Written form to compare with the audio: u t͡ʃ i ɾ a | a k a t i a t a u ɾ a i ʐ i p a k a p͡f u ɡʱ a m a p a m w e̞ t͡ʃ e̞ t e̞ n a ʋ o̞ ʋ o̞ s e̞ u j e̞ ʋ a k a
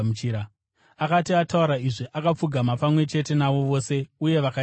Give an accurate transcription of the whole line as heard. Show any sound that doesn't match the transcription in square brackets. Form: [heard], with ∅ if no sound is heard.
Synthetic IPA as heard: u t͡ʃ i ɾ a | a k a t i a t a u ɾ a i ʐ i [ʔ] a k a p͡f u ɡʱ a m a p a m w e̞ t͡ʃ e̞ t e̞ n a ʋ o̞ ʋ o̞ s e̞ u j e̞ ʋ a k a